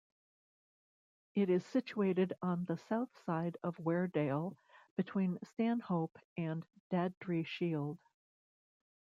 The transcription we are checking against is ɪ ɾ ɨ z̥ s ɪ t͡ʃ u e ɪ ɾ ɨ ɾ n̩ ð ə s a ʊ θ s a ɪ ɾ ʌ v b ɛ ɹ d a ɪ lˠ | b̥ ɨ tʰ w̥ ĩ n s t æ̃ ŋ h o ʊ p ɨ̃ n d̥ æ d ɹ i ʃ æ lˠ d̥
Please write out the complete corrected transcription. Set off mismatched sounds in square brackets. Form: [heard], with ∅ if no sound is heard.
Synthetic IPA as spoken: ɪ ɾ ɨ z̥ s ɪ t͡ʃ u e ɪ ɾ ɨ ɾ n̩ ð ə s a ʊ θ s a ɪ ɾ ʌ v [w] ɛ ɹ d [e] ɪ lˠ | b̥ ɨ tʰ w̥ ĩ n s t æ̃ [n] h o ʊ p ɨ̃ n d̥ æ d ɹ i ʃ [i] lˠ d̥